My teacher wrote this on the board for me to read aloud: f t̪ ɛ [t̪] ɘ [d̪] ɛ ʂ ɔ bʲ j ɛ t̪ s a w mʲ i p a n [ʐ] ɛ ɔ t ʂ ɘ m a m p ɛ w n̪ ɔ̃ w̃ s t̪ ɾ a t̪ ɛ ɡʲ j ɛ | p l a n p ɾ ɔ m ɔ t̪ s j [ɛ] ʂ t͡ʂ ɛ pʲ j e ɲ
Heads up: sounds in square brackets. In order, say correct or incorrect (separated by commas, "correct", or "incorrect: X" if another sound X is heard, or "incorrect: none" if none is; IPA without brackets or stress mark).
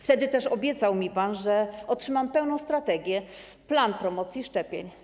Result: incorrect: d̪, incorrect: t̪, correct, incorrect: i